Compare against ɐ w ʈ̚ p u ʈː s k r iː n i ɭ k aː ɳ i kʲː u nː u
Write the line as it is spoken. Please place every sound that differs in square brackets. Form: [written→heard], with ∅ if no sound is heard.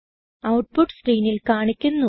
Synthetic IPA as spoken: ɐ w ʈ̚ p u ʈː s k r iː n i [ɭ→l] k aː ɳ i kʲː u nː u

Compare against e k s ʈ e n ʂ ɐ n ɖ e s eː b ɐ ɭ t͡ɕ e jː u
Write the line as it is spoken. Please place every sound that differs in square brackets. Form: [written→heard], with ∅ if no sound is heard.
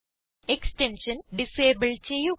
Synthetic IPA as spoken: e k s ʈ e n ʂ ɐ n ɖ [e→i] s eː b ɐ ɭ t͡ɕ e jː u

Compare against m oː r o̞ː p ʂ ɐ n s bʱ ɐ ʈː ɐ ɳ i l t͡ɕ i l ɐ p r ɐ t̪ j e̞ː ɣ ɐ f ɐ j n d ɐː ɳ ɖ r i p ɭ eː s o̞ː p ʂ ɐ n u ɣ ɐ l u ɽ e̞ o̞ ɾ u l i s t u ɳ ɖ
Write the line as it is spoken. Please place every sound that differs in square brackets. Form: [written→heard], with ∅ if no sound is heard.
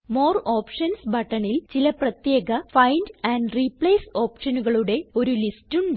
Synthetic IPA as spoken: m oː r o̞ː p ʂ ɐ n s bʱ ɐ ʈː ɐ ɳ i l t͡ɕ i l ɐ p r ɐ t̪ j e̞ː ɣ ɐ f ɐ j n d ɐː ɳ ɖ r i p ɭ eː s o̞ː p ʂ ɐ n u ɣ ɐ [l→ɭ] u ɽ e̞ o̞ ɾ u l i s t u ɳ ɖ

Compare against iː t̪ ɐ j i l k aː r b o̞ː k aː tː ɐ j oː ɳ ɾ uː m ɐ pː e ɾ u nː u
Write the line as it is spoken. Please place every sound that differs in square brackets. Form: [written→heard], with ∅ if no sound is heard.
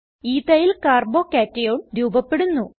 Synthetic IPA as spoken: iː t̪ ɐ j i l k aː r b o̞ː k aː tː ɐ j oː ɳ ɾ uː [m→b] ɐ pː e [ɾ→ɽ] u nː u

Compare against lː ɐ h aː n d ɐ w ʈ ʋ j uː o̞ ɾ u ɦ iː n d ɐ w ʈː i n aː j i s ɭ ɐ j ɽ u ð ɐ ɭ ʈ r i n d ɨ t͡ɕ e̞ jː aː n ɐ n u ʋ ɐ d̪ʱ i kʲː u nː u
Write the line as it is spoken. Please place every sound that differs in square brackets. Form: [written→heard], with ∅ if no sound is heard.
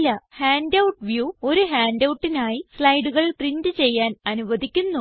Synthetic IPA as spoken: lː ɐ h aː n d ɐ w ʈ ʋ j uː o̞ ɾ u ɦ [iː→aː] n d ɐ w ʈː i n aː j i s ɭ ɐ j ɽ u [ð→ɣ] ɐ ɭ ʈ r i n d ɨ t͡ɕ e̞ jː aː n ɐ n u ʋ ɐ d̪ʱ i kʲː u nː u

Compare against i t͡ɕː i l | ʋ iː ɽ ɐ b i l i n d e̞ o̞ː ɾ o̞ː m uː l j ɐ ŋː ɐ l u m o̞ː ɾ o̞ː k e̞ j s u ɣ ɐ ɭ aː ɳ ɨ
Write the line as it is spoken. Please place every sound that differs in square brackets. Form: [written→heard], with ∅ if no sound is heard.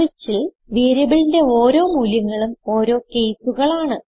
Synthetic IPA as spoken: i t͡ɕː i l | ʋ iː [ɽ→ɾ] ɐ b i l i n d e̞ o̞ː ɾ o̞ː m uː l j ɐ ŋː ɐ [l→ɭ] u m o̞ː ɾ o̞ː k e̞ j s u ɣ ɐ ɭ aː ɳ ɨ

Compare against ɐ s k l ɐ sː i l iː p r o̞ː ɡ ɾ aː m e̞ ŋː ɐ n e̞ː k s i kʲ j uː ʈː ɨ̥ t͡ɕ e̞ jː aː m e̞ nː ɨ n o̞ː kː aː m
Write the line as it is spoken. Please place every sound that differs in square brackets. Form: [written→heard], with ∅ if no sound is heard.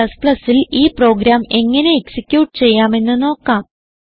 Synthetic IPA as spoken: ɐ s [k→p] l ɐ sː i l iː p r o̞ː ɡ ɾ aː m e̞ ŋː ɐ n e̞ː k s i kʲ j uː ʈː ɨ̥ t͡ɕ e̞ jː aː m e̞ nː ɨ n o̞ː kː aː m

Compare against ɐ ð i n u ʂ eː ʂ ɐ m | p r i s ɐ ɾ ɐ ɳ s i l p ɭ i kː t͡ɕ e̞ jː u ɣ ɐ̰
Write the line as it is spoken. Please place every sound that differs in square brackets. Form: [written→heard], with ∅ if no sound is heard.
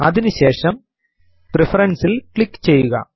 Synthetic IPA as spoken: ɐ ð i n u [ʂ→ɕ] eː ʂ ɐ m | p r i [s→f] ɐ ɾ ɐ [ɳ→n] s i l [p→k] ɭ i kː t͡ɕ e̞ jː u ɣ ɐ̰

